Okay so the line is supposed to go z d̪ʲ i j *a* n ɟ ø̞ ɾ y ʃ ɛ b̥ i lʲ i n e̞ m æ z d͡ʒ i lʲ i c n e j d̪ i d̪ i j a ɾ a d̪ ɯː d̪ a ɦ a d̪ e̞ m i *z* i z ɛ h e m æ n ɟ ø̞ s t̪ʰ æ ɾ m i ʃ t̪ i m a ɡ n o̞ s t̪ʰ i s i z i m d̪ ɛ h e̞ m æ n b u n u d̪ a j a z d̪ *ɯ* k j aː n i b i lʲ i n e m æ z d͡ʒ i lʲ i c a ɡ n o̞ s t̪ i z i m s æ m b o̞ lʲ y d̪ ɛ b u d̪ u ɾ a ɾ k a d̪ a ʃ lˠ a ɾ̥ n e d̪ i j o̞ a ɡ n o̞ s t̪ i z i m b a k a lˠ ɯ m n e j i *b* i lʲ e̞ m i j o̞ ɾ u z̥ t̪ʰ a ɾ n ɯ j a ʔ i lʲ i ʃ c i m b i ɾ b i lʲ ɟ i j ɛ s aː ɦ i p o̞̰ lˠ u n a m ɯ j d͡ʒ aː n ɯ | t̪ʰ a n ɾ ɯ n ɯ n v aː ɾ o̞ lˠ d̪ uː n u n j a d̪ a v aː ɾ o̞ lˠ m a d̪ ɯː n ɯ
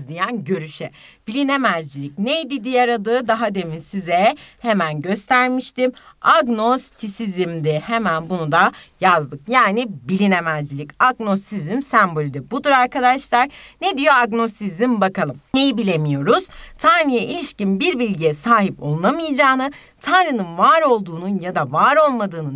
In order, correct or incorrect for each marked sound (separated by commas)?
incorrect, incorrect, correct, correct